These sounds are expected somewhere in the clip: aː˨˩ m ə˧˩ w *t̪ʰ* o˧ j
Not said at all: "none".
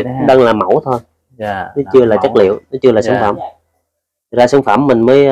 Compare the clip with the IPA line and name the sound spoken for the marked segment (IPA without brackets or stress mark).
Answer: t̪ʰ